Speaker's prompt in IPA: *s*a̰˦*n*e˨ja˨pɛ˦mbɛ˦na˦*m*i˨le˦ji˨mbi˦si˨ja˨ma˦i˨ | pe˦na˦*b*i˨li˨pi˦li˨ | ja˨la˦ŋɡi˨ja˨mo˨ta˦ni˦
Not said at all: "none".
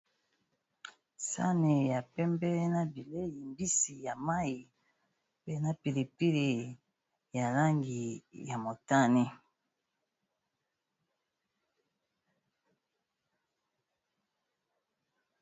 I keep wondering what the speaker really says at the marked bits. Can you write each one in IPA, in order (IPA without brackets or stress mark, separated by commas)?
s, n, b, p